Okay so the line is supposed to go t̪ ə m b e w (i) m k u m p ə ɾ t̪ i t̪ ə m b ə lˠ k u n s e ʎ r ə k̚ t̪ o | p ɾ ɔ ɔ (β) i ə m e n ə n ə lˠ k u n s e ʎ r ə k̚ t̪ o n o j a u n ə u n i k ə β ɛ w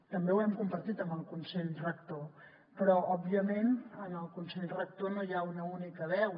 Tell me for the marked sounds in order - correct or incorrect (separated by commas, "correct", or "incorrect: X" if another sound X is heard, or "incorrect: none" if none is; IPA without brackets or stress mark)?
incorrect: ɛ, incorrect: b